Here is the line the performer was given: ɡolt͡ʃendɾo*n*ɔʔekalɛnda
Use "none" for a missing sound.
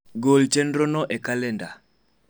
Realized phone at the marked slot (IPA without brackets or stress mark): n